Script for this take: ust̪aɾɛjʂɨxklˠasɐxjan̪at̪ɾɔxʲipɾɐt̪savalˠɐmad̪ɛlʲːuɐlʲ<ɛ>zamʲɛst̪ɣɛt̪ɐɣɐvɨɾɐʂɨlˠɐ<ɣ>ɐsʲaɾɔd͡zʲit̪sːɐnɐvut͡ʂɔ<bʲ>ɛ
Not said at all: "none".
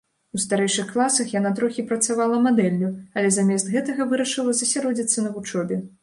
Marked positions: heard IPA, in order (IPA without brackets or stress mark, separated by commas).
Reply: ɛ, z, bʲ